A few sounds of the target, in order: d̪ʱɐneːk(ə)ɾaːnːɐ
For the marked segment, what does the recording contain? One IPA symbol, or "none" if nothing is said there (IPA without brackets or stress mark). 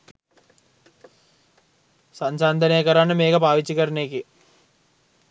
ɐ